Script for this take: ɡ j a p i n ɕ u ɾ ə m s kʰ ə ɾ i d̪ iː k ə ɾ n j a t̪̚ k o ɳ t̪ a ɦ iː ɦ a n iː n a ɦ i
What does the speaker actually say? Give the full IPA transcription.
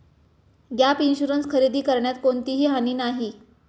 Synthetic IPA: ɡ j a p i n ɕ u ɾ ə n s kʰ ə ɾ i d̪ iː k ə ɾ ɳ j a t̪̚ k o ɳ t̪ i ɦ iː ɦ a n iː n a ɦ i